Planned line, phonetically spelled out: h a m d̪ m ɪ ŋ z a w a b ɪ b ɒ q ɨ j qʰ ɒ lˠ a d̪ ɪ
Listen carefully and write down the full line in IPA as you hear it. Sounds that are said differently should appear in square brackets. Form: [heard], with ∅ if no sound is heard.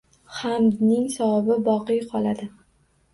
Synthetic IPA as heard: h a m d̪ [n] ɪ ŋ [s] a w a b ɪ b ɒ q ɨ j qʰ ɒ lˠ a d̪ ɪ